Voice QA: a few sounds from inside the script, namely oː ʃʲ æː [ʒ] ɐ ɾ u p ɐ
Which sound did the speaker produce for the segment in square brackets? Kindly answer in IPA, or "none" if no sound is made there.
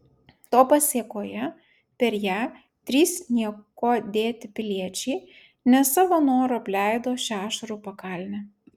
ʃ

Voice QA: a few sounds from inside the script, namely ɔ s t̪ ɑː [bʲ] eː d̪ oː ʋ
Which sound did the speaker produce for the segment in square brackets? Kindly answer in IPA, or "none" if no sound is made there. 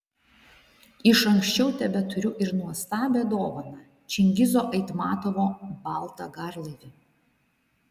bʲ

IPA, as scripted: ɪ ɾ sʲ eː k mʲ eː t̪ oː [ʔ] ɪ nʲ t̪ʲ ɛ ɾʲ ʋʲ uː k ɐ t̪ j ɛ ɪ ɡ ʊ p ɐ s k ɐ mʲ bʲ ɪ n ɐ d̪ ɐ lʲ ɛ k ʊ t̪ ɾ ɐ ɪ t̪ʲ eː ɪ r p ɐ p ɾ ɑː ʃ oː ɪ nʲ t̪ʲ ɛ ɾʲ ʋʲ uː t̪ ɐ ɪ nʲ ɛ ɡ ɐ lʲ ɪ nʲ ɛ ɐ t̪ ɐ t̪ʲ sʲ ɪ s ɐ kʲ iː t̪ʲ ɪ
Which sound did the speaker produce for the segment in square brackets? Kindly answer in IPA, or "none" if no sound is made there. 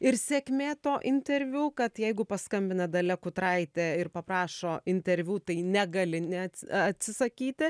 ʔ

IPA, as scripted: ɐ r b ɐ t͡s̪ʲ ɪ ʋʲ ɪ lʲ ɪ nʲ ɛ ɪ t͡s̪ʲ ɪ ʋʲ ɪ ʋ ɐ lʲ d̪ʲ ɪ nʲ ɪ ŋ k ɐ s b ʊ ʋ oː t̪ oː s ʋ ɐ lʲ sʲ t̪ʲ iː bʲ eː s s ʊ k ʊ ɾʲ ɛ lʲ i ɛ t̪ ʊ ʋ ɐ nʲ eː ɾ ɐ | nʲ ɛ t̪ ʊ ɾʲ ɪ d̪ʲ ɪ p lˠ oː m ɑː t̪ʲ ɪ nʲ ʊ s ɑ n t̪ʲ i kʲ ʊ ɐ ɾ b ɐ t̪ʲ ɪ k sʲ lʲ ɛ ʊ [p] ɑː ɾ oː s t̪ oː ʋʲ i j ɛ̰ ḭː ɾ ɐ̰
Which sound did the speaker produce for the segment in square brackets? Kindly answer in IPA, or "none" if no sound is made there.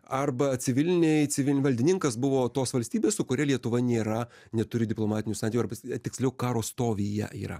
k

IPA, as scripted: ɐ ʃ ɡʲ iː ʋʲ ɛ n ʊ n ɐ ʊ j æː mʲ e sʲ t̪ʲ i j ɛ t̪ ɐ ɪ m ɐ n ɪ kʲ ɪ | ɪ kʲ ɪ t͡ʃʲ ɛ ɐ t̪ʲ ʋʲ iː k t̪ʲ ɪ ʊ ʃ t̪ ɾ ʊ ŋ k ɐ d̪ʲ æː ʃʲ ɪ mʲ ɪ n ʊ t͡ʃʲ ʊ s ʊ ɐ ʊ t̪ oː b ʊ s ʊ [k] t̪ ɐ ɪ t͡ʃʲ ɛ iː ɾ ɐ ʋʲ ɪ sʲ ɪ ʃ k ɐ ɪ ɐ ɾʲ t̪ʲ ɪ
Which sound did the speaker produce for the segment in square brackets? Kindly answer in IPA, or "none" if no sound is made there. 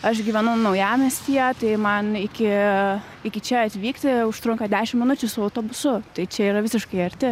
none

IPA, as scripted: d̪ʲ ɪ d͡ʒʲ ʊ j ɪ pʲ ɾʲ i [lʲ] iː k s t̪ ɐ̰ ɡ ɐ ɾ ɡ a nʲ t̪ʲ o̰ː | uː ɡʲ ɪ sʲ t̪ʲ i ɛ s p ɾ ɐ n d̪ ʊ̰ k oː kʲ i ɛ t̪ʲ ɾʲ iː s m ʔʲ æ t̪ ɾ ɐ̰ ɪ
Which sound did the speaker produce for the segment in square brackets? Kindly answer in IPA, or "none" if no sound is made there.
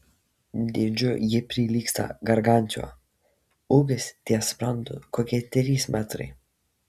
lʲ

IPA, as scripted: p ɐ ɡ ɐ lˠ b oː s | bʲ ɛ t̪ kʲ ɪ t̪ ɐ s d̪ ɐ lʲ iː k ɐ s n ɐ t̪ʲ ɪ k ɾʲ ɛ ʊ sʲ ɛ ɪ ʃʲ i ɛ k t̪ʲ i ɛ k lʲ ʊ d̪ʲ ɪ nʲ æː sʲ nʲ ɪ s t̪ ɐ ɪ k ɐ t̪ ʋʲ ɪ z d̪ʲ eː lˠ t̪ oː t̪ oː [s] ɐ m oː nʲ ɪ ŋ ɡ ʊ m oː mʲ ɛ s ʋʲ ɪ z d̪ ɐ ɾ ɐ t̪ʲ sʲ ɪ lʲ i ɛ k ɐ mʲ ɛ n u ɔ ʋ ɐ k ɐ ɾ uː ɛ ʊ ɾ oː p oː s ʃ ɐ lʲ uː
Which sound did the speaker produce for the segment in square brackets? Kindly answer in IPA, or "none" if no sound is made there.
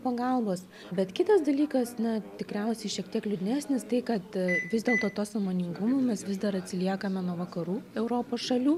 s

